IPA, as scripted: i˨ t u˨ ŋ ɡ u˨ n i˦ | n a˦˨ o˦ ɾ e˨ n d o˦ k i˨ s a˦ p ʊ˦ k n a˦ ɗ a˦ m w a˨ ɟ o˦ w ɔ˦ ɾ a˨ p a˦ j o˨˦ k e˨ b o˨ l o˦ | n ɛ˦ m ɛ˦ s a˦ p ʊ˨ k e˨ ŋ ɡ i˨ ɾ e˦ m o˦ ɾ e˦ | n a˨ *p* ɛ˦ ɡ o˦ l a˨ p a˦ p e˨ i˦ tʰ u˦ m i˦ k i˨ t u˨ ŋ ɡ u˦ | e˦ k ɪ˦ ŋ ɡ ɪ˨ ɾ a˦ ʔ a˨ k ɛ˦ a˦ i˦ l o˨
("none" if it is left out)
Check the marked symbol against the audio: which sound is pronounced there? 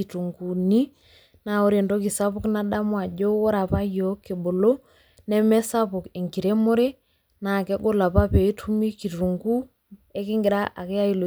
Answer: k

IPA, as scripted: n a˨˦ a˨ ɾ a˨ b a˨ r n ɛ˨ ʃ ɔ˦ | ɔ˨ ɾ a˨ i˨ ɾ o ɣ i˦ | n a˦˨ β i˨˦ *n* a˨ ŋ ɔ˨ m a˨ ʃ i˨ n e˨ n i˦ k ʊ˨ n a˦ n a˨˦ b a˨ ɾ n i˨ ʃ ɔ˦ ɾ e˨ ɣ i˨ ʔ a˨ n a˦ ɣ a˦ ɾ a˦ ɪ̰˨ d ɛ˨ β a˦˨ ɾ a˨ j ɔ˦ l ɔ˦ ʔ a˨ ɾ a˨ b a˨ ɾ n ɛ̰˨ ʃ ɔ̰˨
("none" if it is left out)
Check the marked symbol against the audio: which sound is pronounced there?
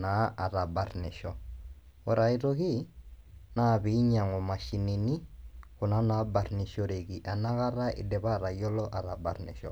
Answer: ɲ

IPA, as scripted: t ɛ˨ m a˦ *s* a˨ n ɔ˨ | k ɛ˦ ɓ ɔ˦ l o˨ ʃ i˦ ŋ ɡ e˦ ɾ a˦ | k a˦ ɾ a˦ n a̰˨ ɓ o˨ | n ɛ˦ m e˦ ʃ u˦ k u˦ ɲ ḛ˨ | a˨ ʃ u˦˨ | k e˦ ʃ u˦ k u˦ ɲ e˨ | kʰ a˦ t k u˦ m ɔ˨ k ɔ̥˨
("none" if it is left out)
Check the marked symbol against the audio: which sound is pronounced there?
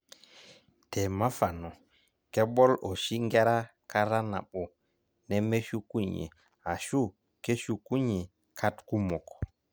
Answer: f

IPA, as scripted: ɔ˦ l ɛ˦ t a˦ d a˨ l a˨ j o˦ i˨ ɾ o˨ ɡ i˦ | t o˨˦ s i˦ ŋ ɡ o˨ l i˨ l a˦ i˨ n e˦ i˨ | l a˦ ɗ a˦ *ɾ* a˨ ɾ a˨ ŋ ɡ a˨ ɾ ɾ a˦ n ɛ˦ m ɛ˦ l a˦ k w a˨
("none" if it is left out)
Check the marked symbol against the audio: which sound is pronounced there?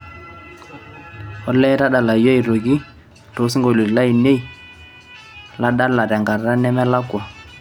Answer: l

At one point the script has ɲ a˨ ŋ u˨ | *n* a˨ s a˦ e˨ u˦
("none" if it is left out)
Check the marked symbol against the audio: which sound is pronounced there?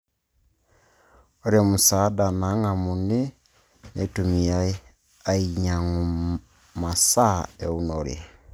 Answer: m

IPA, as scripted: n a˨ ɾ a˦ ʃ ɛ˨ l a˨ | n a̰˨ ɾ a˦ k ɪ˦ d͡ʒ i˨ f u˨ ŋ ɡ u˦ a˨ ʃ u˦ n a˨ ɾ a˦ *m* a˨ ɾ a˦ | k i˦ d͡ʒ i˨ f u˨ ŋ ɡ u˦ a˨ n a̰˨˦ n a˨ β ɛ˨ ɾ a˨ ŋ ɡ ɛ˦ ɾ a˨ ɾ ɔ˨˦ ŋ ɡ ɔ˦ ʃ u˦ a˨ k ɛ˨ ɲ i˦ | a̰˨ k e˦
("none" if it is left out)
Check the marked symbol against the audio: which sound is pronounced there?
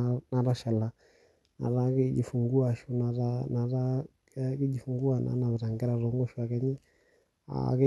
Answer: n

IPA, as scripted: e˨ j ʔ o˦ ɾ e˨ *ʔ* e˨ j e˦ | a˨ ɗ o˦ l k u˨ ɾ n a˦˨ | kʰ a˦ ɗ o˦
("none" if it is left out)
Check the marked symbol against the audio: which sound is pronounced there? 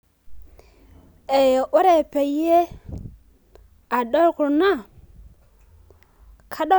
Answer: p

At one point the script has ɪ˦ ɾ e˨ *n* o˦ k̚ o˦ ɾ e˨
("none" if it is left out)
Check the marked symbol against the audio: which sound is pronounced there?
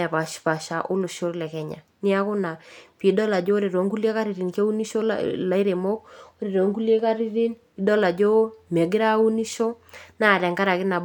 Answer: m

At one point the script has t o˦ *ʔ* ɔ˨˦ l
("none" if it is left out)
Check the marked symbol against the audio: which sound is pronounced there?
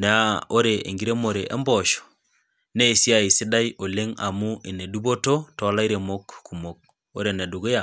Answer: t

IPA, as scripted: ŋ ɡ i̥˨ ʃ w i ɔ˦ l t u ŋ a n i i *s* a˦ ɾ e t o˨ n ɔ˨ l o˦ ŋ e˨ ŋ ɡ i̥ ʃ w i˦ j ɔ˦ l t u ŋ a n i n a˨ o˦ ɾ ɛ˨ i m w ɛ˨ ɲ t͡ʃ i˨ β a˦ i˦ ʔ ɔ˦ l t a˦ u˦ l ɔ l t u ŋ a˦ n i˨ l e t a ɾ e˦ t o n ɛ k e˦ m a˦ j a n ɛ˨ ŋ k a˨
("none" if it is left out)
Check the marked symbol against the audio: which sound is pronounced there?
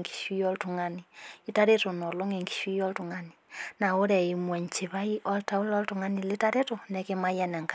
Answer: t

